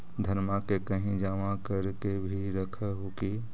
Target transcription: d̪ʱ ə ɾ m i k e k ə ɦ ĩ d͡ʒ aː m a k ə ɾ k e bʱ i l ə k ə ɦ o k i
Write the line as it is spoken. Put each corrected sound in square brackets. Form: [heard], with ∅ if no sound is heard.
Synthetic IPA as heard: d̪ʱ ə ɾ m [a] k e k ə ɦ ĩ d͡ʒ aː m a k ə ɾ k e bʱ i [ɾ] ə [kʰ] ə ɦ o k i